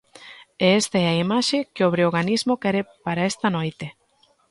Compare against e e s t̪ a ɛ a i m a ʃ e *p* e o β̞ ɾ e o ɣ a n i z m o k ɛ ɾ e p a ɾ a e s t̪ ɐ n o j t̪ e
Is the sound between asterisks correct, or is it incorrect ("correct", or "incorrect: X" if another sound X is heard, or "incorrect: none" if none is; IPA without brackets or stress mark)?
incorrect: k